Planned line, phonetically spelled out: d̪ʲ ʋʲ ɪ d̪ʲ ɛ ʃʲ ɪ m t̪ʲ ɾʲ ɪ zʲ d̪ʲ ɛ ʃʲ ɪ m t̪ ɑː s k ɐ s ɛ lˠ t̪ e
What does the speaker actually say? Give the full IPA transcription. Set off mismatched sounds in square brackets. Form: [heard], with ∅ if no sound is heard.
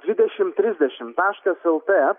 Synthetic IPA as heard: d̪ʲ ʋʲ ɪ d̪ʲ ɛ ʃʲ ɪ m t̪ʲ ɾʲ ɪ zʲ d̪ʲ ɛ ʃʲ ɪ m t̪ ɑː [ʃ] k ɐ s ɛ lˠ t̪ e